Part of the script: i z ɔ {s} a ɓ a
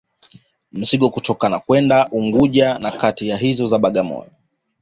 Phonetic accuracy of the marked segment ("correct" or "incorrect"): incorrect